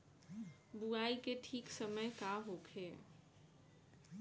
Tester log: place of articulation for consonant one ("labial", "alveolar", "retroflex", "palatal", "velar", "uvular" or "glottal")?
labial